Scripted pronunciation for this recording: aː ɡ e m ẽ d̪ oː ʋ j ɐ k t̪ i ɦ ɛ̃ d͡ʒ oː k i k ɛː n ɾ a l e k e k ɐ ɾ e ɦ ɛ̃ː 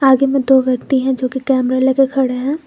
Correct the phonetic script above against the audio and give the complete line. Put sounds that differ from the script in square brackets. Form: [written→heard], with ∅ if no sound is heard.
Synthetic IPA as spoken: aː ɡ e m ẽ d̪ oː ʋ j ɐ k t̪ i ɦ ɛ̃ d͡ʒ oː k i k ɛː [n→m] ɾ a l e k e [k→kʰ] ɐ [ɾ→ɽ] e ɦ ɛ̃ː